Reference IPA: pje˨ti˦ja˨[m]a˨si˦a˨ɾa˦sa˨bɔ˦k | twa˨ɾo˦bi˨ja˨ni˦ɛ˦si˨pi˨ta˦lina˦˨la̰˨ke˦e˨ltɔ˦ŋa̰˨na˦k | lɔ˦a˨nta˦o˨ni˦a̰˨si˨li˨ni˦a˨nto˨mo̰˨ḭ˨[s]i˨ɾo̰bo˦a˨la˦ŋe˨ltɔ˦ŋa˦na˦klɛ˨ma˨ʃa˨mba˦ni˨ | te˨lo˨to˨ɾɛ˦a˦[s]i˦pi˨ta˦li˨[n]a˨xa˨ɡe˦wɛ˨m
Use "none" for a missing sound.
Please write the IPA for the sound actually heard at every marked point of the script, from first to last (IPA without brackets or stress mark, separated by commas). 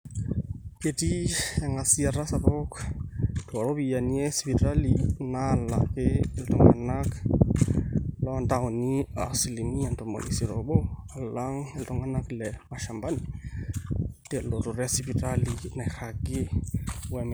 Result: ŋ, s, s, n